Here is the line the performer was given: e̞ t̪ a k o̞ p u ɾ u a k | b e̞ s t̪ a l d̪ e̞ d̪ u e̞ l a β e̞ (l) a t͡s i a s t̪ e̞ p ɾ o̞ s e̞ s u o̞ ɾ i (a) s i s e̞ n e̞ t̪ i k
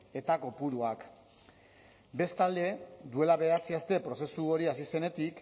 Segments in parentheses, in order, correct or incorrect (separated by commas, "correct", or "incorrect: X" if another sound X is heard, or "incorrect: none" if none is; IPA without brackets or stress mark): incorrect: none, correct